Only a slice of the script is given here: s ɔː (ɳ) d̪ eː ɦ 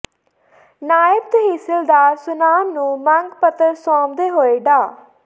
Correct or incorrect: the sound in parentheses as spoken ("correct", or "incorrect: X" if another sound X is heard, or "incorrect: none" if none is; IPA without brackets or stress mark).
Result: incorrect: m